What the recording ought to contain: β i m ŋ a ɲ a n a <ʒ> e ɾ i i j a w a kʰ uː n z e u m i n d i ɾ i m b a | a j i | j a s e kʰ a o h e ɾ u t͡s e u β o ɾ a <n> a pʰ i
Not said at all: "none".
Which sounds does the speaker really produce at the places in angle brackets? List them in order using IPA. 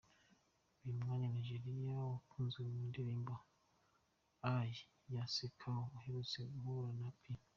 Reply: ʒ, n

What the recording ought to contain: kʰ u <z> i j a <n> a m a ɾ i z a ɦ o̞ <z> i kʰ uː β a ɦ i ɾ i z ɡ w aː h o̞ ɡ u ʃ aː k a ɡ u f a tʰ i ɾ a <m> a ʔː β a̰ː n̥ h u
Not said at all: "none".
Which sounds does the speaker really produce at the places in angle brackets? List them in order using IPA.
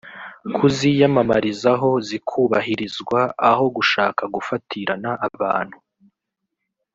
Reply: z, m, z, n

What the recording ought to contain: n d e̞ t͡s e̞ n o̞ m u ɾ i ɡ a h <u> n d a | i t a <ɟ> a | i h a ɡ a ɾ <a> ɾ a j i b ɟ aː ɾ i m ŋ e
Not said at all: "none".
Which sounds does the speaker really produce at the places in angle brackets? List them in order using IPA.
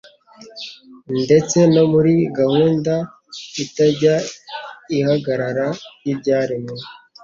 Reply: uː, ɟ, a

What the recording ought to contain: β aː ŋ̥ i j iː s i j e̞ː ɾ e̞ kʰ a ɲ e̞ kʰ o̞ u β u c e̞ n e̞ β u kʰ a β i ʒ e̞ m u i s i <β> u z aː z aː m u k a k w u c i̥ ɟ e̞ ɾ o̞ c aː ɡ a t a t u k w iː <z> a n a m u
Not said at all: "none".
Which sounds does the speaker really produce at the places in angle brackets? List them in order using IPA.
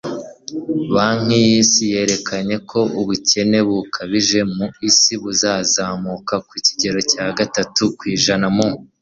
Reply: β, ʒ

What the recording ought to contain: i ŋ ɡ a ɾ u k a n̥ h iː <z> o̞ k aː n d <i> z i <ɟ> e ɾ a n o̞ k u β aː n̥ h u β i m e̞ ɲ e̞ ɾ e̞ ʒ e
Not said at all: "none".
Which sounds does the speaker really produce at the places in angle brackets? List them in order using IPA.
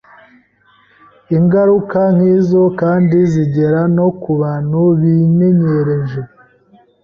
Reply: z, i, ɟ

